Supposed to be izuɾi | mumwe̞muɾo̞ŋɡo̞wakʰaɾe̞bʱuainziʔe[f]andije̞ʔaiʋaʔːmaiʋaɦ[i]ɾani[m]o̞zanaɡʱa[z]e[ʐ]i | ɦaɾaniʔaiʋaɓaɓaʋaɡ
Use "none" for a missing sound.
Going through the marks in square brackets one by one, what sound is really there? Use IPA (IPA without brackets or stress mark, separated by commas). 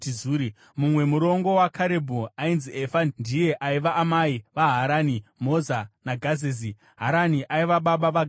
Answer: f, a, m, z, z